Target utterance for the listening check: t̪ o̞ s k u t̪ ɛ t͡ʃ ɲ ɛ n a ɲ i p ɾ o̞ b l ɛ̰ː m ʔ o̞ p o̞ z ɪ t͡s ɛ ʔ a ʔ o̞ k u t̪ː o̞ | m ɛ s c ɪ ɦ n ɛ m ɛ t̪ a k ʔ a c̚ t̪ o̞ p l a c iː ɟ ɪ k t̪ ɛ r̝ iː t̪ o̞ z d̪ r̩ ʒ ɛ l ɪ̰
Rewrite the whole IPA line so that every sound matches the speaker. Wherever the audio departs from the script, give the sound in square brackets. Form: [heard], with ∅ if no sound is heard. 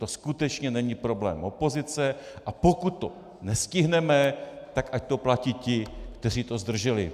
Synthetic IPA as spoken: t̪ o̞ s k u t̪ ɛ t͡ʃ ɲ ɛ n [ɛ] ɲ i p ɾ o̞ b l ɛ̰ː m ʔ o̞ p o̞ z ɪ t͡s ɛ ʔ a [p] o̞ k u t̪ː o̞ | [n] ɛ s c ɪ ɦ n ɛ m ɛ t̪ a k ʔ a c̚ t̪ o̞ p l a c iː [c] ɪ k t̪ ɛ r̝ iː t̪ o̞ z d̪ r̩ ʒ ɛ l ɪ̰